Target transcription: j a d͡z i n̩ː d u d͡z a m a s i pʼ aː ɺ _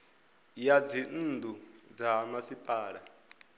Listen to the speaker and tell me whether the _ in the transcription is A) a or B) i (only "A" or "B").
A